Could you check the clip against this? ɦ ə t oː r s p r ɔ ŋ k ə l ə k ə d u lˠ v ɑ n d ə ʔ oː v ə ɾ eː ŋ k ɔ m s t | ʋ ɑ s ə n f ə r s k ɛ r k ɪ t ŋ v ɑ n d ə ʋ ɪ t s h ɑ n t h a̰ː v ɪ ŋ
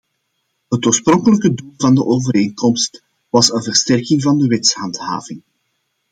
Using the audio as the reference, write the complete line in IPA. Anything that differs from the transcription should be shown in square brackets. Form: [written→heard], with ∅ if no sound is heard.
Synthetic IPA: ɦ ə t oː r s p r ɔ ŋ k ə l ə k ə d u lˠ v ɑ n d ə ʔ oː v ə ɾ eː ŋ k ɔ m s t | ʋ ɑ s ə n [f→v] ə r s [k→t] ɛ r k ɪ [t→∅] ŋ v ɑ n d ə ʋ ɪ t s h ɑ n t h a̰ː v ɪ ŋ